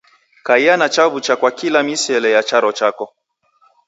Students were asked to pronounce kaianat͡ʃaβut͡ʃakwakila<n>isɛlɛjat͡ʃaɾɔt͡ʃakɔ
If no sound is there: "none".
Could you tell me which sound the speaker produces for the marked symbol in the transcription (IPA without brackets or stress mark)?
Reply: m